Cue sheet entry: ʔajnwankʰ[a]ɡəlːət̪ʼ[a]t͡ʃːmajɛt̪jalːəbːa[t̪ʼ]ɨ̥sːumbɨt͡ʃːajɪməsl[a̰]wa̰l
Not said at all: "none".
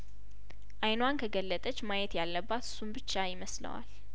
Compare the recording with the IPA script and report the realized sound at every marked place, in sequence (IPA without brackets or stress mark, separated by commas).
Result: ə, ə, t̪, ə̰